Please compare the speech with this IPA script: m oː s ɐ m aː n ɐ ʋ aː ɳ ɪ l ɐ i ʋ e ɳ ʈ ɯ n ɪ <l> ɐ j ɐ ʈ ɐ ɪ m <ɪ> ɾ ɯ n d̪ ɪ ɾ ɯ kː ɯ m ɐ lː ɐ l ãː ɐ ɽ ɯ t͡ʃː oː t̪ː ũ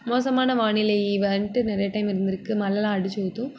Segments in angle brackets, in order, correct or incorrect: incorrect: ɾ, correct

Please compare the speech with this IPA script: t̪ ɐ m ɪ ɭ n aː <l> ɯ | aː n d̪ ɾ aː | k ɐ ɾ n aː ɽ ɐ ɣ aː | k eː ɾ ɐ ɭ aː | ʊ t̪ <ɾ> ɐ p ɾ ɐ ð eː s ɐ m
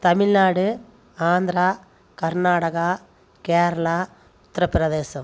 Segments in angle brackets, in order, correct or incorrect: incorrect: ɽ, correct

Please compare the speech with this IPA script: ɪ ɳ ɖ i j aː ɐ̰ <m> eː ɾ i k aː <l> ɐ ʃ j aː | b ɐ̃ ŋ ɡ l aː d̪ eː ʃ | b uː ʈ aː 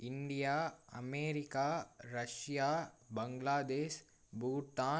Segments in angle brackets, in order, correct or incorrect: correct, incorrect: ɾ

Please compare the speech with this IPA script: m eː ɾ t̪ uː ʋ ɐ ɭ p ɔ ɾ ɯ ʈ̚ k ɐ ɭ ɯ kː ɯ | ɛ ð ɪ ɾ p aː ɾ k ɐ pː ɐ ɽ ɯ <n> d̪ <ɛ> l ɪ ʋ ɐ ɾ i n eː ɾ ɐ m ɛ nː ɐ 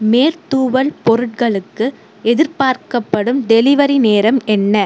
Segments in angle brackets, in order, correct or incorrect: incorrect: m, correct

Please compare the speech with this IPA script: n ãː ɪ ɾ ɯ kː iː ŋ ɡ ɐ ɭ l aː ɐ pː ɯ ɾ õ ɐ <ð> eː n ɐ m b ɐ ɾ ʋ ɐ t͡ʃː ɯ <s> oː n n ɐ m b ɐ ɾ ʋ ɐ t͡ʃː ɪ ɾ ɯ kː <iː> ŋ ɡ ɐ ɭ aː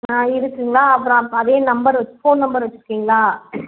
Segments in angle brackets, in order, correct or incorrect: correct, incorrect: f, correct

